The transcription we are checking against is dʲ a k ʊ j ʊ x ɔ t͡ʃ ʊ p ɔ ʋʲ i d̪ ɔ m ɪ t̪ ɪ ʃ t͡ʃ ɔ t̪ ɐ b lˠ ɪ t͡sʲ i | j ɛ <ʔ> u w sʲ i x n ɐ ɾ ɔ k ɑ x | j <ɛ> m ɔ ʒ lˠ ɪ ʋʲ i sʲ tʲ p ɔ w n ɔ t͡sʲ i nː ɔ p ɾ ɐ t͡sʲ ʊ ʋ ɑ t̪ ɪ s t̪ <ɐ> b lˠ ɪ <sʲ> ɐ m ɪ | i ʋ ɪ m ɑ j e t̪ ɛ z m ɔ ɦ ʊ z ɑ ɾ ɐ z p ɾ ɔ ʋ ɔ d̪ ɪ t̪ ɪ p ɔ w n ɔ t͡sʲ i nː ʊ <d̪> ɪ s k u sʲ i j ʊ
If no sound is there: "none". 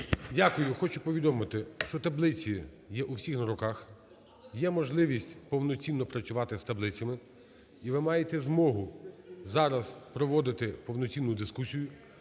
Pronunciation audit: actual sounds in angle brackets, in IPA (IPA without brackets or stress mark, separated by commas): ʔ, ɛ, ɐ, t͡sʲ, d̪